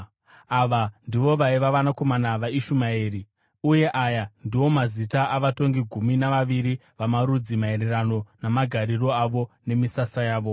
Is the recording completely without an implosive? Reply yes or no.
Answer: yes